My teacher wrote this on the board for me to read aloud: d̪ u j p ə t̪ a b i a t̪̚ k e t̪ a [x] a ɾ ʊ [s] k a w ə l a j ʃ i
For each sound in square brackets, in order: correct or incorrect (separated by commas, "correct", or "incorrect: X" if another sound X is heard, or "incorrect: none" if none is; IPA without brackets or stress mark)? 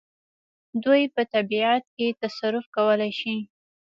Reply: incorrect: s, incorrect: f